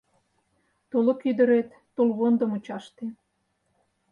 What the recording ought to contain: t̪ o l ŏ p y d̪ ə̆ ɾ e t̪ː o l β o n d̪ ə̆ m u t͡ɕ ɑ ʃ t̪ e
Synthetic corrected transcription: t̪ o l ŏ k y d̪ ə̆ ɾ e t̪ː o l β o n d̪ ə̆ m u t͡ɕ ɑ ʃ t̪ e